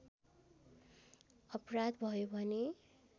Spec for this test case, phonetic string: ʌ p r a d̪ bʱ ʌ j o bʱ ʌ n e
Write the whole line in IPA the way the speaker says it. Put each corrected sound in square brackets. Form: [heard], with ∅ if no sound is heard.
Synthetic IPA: ʌ p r a d̪ bʱ ʌ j o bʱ ʌ n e